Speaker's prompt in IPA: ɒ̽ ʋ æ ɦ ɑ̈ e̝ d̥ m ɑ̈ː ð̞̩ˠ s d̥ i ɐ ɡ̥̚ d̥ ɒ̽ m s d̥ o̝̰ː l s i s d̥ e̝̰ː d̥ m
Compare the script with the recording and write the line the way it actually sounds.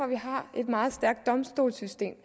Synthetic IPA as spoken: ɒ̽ ʋ i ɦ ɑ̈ e̝ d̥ m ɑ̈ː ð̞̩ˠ s d̥ æ ɐ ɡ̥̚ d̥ ɒ̽ m s d̥ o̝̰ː l s y s d̥ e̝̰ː m